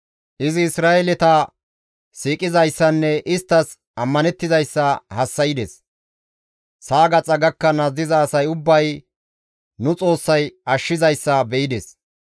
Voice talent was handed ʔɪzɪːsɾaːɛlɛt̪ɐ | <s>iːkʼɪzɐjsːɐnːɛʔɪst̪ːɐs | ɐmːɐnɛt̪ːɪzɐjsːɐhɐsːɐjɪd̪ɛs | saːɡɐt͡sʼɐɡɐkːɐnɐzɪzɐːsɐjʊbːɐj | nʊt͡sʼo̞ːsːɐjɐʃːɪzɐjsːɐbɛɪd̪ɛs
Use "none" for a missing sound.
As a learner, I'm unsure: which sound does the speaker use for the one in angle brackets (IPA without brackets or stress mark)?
s